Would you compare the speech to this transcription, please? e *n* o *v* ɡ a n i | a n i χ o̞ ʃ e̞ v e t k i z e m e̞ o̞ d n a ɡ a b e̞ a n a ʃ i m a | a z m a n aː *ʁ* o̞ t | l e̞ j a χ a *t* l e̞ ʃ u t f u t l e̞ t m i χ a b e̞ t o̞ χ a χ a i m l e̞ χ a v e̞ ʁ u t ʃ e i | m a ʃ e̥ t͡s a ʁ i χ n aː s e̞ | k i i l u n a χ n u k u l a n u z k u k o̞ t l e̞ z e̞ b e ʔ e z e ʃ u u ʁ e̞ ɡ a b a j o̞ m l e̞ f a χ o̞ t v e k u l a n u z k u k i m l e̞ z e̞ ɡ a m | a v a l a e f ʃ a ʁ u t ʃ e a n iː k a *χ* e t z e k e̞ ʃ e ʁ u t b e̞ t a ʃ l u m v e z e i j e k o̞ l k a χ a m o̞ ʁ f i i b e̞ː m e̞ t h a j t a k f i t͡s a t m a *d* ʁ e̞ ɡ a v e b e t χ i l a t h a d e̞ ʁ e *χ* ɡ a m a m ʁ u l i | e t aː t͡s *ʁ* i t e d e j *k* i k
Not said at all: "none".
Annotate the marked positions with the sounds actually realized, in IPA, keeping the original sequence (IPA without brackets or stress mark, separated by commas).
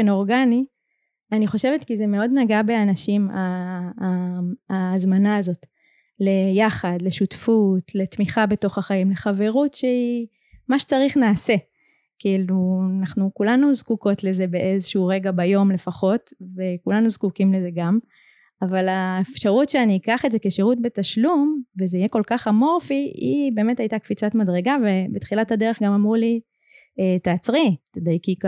n, ʁ, z, d, χ, d, χ, ʁ, k